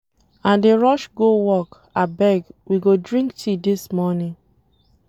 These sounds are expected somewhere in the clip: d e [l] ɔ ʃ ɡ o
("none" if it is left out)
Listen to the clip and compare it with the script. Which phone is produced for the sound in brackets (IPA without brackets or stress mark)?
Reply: ɹ